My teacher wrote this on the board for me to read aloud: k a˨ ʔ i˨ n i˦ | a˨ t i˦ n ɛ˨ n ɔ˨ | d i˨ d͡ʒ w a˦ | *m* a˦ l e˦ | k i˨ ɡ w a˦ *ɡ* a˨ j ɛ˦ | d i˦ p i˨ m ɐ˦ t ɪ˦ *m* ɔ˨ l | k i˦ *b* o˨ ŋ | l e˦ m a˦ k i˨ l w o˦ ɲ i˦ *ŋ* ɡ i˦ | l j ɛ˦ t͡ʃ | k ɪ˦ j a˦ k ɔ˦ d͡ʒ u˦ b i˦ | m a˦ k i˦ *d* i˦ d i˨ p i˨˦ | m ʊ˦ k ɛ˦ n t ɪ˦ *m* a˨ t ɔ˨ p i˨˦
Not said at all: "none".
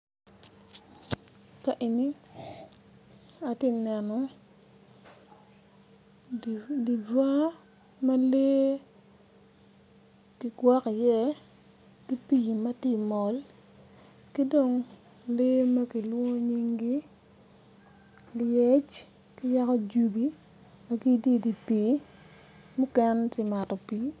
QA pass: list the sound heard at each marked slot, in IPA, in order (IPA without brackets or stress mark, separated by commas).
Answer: m, k, m, d, ŋ, d, m